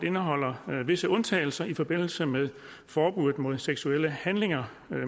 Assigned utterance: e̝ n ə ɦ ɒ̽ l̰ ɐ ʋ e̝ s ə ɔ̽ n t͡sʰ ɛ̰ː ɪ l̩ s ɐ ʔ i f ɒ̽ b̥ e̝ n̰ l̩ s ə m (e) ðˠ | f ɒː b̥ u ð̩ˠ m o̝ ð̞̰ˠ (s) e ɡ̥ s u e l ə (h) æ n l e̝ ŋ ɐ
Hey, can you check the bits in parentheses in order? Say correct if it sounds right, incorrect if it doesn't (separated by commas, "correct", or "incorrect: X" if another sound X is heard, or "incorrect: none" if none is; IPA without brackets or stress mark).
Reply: correct, correct, correct